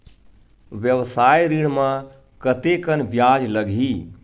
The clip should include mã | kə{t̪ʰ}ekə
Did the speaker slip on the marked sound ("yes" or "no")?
yes